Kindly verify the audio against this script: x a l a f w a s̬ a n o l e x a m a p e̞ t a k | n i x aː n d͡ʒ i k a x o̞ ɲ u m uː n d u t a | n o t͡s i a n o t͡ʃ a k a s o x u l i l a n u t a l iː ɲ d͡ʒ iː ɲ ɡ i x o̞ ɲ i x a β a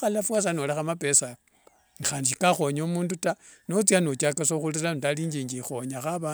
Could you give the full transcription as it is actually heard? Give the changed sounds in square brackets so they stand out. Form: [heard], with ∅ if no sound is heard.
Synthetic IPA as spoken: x a l a f w a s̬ a n o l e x a m a p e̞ [s] a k | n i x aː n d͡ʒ i k a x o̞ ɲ [o] m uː n d u t a | n o t͡s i a n o t͡ʃ a k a s o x u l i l a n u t a l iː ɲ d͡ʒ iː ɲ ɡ i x o̞ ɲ [a] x a β a